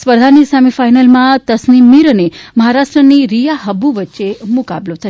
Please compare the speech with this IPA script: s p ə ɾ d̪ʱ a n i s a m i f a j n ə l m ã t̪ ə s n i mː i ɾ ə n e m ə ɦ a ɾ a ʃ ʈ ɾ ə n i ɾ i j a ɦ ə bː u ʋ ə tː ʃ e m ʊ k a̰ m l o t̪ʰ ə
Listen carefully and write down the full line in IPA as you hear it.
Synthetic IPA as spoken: s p ə ɾ d̪ʱ a n i s a m i f a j n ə l m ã t̪ ə s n i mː i ɾ ə n e m ə ɦ a ɾ a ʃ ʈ ɾ ə n i ɾ i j a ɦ ə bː u ʋ ə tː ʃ e m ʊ k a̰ b l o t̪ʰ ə